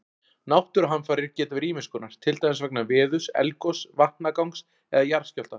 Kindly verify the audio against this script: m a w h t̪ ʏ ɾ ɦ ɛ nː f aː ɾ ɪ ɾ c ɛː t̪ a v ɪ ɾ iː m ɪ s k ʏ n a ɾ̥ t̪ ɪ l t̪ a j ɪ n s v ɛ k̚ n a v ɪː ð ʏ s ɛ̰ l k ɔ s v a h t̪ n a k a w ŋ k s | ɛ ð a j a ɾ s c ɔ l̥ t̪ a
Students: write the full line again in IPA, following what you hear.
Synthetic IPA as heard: n a w h t̪ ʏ ɾ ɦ a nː f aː ɾ ɪ ɾ c ɛː t̪ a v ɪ ɾ iː m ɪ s k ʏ n a ɾ̥ t̪ʰ ɪ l t̪ a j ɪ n s v ɛ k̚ n a v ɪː ð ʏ s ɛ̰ l k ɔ s v a h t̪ n a k a w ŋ k s | ɛ ð a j a ɾ s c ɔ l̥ t̪ a

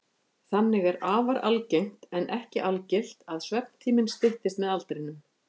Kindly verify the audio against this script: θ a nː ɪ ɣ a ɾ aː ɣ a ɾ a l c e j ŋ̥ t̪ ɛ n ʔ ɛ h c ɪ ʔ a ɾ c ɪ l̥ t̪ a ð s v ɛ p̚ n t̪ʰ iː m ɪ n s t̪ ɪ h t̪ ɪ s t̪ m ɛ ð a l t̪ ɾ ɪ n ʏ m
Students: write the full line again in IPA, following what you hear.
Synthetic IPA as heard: θ a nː ɪ ɣ ɛ ɾ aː v a ɾ a l c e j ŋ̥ t̪ ɛ n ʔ ɛ h c ɪ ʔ a l c ɪ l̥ t̪ a ð s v ɛ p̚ n t̪ʰ iː m ɪ n s t̪ ɪ h t̪ ɪ s t̪ m ɛ ð a l t̪ ɾ ɪ n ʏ m

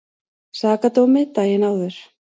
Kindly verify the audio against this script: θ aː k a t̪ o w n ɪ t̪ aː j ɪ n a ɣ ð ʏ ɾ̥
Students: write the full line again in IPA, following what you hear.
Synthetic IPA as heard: s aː k a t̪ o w m ɪ t̪ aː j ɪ n a w ð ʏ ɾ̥

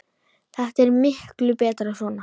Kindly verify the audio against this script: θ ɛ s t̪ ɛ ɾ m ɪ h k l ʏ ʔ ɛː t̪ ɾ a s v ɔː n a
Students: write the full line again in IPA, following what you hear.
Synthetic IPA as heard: θ ɛ h t̪ ɛ ɾ m ɪ h k l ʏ p ɛː t̪ ɾ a s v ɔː n a

